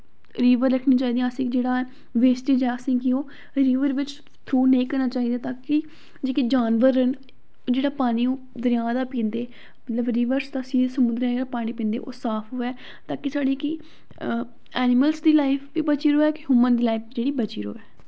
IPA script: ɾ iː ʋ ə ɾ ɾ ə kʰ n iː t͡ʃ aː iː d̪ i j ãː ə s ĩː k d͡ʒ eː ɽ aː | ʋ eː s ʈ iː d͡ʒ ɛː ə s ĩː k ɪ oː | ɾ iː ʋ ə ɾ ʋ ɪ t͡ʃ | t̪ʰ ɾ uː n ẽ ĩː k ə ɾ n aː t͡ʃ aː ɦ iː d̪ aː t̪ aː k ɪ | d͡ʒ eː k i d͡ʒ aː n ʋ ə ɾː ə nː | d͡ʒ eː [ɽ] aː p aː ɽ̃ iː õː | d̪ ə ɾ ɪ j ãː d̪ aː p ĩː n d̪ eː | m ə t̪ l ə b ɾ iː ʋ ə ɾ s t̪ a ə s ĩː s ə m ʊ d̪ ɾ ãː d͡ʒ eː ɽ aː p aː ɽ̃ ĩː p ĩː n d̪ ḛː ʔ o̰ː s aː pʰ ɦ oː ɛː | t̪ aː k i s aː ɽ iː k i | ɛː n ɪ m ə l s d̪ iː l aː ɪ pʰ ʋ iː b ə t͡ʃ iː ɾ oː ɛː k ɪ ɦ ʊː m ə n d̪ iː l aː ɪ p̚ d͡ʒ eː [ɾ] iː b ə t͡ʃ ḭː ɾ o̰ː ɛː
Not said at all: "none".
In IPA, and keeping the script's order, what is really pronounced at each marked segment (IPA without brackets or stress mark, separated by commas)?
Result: ɽ, ɽ